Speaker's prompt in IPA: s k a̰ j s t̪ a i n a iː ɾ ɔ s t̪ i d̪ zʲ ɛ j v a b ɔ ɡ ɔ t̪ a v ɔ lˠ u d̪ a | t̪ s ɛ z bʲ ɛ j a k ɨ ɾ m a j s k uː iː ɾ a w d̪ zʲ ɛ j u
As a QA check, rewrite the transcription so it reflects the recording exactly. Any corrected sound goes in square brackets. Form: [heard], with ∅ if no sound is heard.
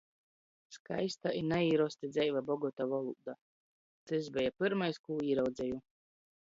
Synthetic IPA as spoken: s k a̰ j s t̪ a i n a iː ɾ ɔ s t̪ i d̪ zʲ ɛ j v a b ɔ ɡ ɔ t̪ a v ɔ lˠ u d̪ a | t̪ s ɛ z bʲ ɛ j a [p] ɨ ɾ m a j s k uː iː ɾ a w d̪ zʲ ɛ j u